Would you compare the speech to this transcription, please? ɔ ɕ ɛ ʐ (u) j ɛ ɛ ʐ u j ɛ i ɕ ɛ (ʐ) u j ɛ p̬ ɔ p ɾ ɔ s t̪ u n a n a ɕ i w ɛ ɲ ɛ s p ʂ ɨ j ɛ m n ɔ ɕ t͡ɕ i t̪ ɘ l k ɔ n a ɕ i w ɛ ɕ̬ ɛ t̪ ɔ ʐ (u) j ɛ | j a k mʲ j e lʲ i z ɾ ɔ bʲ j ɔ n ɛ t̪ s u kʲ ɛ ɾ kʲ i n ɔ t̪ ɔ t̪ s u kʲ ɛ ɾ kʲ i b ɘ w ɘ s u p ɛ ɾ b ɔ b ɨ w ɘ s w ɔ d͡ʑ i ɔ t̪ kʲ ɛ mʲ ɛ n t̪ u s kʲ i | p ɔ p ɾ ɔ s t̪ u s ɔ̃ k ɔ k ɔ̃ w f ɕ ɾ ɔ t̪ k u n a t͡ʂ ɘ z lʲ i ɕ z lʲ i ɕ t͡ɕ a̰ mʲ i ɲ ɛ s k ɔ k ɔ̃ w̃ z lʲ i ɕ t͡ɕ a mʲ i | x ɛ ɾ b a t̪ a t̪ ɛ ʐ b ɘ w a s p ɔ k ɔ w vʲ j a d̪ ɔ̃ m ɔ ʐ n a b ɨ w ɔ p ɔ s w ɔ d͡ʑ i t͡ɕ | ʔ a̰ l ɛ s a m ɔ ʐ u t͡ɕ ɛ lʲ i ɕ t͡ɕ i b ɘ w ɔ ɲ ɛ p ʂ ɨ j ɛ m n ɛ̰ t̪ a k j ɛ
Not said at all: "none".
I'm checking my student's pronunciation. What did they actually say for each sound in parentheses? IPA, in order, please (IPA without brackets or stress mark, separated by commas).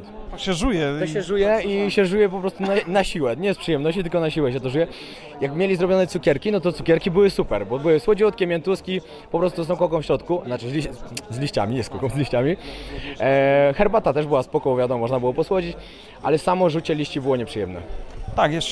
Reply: u, ʐ, u